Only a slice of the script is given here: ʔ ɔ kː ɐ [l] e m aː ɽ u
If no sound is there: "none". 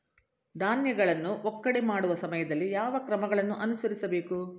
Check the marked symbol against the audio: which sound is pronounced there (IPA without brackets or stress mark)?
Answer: ɽ